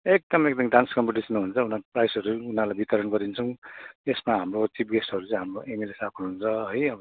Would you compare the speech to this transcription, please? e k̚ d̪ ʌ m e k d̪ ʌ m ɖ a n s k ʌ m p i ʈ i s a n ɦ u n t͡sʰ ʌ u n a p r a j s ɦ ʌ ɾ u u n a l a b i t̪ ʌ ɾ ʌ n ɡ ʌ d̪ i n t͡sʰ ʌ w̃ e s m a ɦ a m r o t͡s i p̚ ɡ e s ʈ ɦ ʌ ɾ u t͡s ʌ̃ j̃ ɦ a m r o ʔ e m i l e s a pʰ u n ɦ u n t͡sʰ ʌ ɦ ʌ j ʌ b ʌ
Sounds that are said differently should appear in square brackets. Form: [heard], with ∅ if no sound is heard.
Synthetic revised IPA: e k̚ d̪ ʌ m e k d̪ ʌ m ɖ a n s k ʌ m p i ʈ i s [ʌ] n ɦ u n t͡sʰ ʌ u n a p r a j s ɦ ʌ ɾ u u n a l a b i t̪ ʌ ɾ ʌ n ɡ ʌ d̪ i n t͡sʰ ʌ w̃ e s m a ɦ a m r o t͡s i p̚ ɡ e s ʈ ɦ ʌ ɾ u t͡s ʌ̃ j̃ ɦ a m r o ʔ e m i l e s a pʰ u n ɦ u n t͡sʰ ʌ ɦ ʌ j ʌ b ʌ

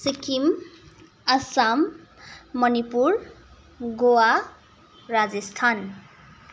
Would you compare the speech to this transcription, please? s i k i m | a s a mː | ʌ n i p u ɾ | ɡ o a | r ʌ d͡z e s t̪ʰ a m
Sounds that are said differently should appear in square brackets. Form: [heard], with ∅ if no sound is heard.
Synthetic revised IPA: s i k i m | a s a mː | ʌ n i p u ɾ | ɡ o a | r [a] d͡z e s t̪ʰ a [n]

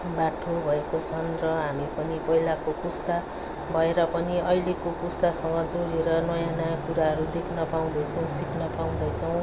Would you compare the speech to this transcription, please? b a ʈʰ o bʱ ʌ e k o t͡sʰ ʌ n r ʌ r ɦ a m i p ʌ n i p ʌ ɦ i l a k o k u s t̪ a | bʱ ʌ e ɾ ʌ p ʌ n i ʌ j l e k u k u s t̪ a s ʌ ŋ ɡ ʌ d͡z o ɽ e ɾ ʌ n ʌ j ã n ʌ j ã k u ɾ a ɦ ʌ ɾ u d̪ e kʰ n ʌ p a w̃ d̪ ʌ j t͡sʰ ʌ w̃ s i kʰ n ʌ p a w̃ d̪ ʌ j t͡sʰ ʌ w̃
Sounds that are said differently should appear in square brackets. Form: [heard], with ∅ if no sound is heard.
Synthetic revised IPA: b a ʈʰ o bʱ ʌ e k o t͡sʰ ʌ n r ʌ [∅] ɦ a m i p ʌ n i p ʌ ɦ i l a k o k u s t̪ a | bʱ ʌ e ɾ ʌ p ʌ n i ʌ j l e k [o] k u s t̪ a s ʌ ŋ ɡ ʌ d͡z o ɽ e ɾ ʌ n ʌ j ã n ʌ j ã k u ɾ a ɦ ʌ ɾ u d̪ e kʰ n ʌ p a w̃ d̪ ʌ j t͡sʰ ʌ w̃ s i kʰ n ʌ p a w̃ d̪ ʌ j t͡sʰ ʌ w̃

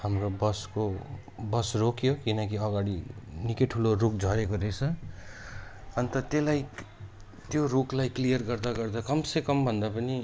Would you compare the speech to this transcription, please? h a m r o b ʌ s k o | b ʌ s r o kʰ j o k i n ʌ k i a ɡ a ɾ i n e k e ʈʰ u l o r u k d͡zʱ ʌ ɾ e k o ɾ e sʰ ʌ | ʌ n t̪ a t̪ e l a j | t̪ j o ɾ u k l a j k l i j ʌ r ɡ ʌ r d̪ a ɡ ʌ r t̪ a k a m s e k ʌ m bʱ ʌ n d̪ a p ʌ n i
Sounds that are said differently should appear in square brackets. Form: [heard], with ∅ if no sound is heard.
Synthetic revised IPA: h a m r o b ʌ s k o | b ʌ s r o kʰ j o k i n ʌ k i [ʌ] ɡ a [ɽ] i n [i] k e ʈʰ u l o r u k d͡zʱ ʌ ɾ e k o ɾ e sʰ ʌ | ʌ n t̪ [ʌ] t̪ e l a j | t̪ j o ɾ u k l a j k l i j ʌ r ɡ ʌ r d̪ a ɡ ʌ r [d̪] a k [ʌ] m s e k ʌ m bʱ ʌ n d̪ a p ʌ n i

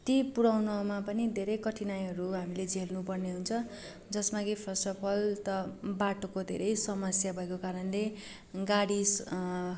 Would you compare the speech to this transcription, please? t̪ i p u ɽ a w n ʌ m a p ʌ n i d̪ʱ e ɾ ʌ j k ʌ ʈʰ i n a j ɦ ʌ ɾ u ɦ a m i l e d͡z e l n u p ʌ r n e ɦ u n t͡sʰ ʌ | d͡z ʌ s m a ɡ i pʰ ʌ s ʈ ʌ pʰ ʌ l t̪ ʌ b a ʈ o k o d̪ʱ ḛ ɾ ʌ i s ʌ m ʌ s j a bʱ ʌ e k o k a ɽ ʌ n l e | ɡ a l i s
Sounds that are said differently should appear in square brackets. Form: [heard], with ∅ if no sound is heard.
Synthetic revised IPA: t̪ i p u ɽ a w n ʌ m a p ʌ n i d̪ʱ e ɾ ʌ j k ʌ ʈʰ i n a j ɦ ʌ ɾ u ɦ a m i l e d͡z e l n u p ʌ r n e ɦ u n t͡sʰ ʌ | d͡z ʌ s m a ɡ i pʰ ʌ s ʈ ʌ pʰ ʌ l t̪ ʌ b a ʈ o k o d̪ʱ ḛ ɾ ʌ [j] s ʌ m ʌ s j a bʱ ʌ e k o k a [ɾ] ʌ n l e | ɡ a [ɽ] i s

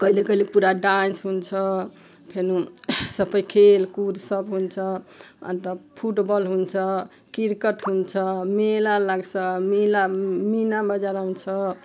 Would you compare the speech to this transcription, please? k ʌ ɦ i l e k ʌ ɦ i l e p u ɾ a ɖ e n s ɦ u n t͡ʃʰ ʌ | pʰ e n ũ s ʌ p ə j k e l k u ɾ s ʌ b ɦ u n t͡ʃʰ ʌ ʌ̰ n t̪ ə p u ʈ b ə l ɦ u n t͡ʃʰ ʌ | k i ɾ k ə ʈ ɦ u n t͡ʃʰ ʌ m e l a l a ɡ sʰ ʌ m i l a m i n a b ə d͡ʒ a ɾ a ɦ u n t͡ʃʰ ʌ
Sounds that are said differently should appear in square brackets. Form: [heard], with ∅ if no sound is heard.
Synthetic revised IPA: k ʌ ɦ i l e k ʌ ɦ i l e p u ɾ a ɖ [a] n s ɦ u n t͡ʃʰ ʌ | pʰ e n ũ s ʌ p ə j [kʰ] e l k u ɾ s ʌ b ɦ u n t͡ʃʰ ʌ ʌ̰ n t̪ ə [pʰ] u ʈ b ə l ɦ u n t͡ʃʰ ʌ | k i ɾ k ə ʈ ɦ u n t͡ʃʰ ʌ m e l a l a ɡ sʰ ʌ m i l a m i n a b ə d͡ʒ a ɾ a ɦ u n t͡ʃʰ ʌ

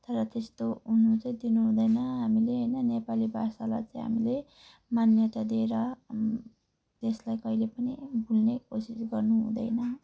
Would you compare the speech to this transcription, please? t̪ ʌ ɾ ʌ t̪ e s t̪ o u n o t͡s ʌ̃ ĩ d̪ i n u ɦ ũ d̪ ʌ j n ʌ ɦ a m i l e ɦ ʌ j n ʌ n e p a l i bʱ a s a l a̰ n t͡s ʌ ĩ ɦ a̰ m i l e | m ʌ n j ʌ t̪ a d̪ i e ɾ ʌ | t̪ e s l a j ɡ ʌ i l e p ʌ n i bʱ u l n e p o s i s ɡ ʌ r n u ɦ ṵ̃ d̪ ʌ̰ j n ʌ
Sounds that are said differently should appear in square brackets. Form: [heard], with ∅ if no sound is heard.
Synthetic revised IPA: t̪ ʌ ɾ ʌ t̪ e s t̪ o u n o t͡s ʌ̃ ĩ d̪ i n u ɦ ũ d̪ ʌ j n ʌ ɦ a m i l e ɦ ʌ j n ʌ n e p a l i bʱ a s a l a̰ [∅] t͡s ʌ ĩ ɦ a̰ m i l e | m [a] n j ʌ t̪ a d̪ i e ɾ ʌ | t̪ e s l a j [k] ʌ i l e p ʌ n i bʱ u l n e [k] o s i s ɡ ʌ r n u ɦ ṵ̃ d̪ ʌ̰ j n ʌ

